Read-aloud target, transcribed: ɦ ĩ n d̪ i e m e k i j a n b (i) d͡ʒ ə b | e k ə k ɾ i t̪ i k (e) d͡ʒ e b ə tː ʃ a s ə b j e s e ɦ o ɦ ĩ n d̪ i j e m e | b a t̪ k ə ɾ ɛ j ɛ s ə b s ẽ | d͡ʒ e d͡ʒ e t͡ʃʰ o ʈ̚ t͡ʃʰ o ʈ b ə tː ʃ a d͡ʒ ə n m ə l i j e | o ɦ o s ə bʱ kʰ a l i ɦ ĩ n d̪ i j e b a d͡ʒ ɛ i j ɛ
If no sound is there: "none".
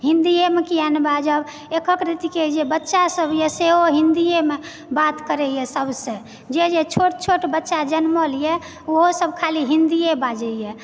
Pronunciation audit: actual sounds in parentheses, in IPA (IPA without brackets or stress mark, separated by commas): a, e